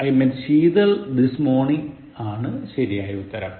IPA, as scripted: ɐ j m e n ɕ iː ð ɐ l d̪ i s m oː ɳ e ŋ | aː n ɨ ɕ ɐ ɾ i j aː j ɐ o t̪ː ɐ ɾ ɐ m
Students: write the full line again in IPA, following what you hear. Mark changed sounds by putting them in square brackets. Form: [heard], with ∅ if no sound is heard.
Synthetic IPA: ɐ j m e n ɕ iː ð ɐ l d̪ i s m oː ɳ [i] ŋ | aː [ɳ] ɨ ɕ ɐ ɾ i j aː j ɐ [u] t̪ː ɐ ɾ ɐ m